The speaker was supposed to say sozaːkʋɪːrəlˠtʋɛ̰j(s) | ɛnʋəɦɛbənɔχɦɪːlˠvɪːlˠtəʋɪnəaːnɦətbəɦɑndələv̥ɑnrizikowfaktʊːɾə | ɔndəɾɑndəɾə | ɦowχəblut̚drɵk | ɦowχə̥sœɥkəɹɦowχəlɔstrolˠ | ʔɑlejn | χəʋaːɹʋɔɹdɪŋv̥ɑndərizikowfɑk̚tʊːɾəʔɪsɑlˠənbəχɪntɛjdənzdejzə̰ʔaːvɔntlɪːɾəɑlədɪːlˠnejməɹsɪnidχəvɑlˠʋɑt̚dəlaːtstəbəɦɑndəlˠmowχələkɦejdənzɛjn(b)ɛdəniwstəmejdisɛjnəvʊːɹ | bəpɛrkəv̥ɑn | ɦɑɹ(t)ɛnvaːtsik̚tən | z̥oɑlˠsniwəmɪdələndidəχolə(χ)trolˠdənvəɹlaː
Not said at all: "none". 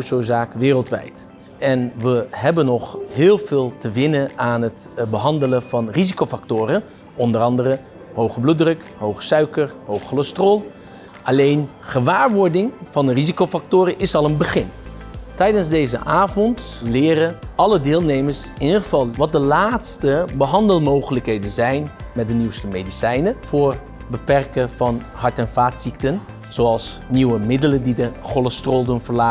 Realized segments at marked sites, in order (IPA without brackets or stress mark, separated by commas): t, m, t, s